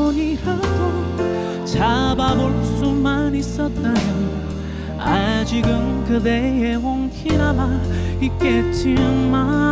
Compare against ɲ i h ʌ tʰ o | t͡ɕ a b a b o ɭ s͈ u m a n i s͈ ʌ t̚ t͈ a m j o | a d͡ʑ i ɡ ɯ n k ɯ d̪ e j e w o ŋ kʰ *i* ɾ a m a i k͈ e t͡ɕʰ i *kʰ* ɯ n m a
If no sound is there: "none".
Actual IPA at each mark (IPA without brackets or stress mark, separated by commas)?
i, none